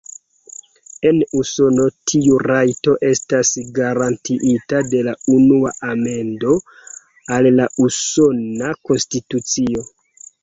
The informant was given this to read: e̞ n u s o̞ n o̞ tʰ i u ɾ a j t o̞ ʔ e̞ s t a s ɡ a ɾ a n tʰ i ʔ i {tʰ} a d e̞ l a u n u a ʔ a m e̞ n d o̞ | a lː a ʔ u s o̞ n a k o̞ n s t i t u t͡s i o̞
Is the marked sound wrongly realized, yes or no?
yes